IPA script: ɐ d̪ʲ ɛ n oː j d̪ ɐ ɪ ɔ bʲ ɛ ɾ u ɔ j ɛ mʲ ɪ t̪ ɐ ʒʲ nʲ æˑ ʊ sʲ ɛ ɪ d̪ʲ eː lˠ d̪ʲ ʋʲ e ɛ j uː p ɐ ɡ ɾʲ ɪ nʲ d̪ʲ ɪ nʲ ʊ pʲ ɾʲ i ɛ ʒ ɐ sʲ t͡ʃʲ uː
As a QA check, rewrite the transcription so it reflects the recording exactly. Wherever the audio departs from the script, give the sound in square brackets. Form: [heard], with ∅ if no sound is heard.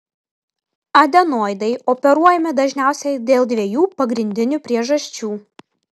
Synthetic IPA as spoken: ɐ d̪ʲ ɛ n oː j d̪ ɐ ɪ ɔ [pʲ] ɛ ɾ u ɔ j ɛ mʲ ɪ [d̪] ɐ ʒʲ nʲ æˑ ʊ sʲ ɛ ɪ d̪ʲ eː lˠ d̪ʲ ʋʲ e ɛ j uː p ɐ ɡ ɾʲ ɪ nʲ d̪ʲ ɪ nʲ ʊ pʲ ɾʲ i ɛ ʒ ɐ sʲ t͡ʃʲ uː